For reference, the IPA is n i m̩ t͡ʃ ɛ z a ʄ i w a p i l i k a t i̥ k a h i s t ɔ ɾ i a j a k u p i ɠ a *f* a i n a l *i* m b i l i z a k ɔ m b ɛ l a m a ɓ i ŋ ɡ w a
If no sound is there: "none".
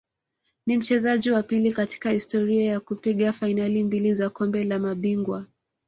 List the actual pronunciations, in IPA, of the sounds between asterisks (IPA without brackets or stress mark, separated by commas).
f, i